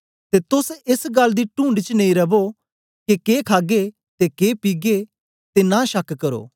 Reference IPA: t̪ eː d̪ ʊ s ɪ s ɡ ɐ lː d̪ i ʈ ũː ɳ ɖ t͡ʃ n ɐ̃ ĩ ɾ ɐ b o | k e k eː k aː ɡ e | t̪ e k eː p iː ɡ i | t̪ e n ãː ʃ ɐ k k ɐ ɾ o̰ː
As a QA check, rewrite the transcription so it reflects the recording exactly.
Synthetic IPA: t̪ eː t̪ ʊ s ɪ s ɡ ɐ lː d̪ i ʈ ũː ɳ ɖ t͡ʃ n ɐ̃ ĩ ɾ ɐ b o | k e k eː kʰ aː ɡ e | t̪ e k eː p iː ɡ e | t̪ e n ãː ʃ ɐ k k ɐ ɾ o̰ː